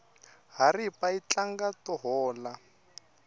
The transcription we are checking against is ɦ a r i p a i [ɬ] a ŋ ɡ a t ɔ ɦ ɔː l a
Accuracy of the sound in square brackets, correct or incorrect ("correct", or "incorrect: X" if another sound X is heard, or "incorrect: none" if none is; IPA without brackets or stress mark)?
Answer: incorrect: t͡ɬ